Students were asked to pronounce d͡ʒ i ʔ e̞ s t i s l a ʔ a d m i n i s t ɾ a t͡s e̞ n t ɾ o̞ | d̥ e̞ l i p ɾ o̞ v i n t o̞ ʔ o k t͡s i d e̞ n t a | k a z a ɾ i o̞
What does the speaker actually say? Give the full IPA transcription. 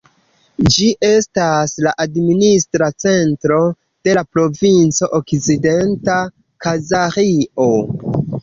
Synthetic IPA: d͡ʒ i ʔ e̞ s t a s l a ʔ a d m i n i s t ɾ a t͡s e̞ n t ɾ o̞ | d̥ e̞ l a p ɾ o̞ v i n t͡s o̞ ʔ o k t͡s i d e̞ n t a | k a z a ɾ i o̞